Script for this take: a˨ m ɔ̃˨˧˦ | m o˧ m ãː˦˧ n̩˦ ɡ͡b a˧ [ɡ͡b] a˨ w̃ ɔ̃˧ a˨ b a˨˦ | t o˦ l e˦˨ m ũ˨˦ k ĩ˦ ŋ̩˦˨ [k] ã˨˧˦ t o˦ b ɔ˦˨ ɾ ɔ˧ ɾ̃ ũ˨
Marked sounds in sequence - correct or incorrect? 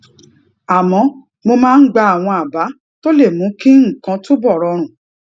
incorrect: none, correct

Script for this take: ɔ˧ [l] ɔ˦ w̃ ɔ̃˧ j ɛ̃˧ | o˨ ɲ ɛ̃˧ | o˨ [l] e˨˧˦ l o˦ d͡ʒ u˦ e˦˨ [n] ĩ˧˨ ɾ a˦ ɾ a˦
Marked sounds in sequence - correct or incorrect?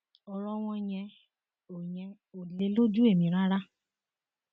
incorrect: ɾ, correct, incorrect: m

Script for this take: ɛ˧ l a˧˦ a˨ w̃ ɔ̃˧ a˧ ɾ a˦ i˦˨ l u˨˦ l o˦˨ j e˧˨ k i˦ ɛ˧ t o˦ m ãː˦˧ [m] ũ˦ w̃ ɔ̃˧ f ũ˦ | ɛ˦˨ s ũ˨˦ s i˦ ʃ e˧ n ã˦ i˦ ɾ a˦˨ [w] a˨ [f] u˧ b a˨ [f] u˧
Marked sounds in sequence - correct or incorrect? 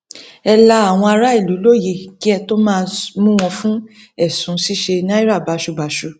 correct, incorrect: b, incorrect: ʃ, incorrect: ʃ

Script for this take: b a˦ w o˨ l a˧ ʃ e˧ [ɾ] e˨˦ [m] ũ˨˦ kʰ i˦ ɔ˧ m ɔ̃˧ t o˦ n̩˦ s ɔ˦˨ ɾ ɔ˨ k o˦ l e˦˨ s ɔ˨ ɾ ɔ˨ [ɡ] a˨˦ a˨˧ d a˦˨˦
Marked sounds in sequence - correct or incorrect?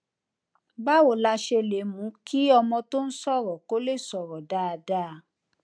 incorrect: l, correct, incorrect: d

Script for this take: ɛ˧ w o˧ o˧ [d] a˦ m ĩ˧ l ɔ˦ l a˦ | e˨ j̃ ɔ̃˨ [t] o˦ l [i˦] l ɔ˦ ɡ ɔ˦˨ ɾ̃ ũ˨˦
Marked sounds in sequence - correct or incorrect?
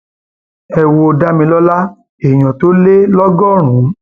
correct, correct, incorrect: e˦

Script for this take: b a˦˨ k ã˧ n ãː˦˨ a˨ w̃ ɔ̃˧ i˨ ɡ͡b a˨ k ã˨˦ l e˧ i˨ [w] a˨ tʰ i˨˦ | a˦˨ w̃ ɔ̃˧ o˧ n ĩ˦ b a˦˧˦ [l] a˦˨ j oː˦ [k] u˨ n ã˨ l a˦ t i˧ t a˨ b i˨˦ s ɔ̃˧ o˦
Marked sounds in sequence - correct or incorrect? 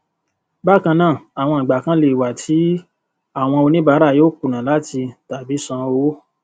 correct, incorrect: ɾ, correct

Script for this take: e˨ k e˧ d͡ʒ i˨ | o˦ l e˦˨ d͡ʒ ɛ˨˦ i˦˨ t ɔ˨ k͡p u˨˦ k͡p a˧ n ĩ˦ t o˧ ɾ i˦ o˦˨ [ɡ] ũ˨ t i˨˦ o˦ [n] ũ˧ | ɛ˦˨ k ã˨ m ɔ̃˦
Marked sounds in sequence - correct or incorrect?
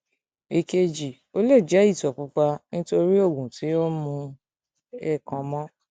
correct, incorrect: m

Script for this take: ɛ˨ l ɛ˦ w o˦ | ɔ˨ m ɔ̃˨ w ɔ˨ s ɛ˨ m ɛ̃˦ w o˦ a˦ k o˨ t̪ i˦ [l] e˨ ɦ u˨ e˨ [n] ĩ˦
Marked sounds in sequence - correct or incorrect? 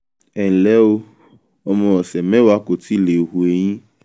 correct, incorrect: ɲ

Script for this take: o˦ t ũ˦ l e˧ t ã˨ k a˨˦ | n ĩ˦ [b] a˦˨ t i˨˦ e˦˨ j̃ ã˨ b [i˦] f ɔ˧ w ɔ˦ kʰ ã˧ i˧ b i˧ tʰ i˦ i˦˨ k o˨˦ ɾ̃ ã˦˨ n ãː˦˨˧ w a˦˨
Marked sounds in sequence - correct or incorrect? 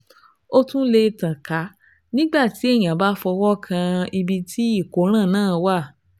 incorrect: ɡ͡b, incorrect: a˦

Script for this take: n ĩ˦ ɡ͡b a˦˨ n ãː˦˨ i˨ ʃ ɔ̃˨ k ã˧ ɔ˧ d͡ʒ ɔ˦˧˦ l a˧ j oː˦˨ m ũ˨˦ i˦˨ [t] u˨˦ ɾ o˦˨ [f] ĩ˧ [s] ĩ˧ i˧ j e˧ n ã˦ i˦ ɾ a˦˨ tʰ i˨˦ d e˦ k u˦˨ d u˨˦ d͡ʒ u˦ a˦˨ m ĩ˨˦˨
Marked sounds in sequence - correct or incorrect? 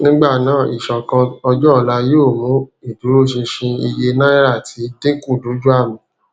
incorrect: d, incorrect: ʃ, incorrect: ʃ

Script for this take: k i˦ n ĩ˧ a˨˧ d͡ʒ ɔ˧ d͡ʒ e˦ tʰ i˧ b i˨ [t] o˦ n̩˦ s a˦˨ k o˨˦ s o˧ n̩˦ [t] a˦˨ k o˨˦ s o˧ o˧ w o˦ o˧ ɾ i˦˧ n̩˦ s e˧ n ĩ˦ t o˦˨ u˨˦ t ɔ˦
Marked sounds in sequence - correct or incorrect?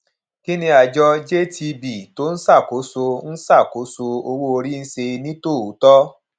correct, incorrect: s

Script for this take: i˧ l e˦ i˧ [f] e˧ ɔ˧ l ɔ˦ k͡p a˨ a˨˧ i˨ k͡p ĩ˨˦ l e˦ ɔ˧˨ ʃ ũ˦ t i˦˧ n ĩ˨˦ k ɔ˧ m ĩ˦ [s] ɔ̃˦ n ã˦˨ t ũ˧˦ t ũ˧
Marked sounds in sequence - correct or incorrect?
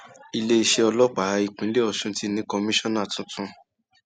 incorrect: ʃ, incorrect: ʃ

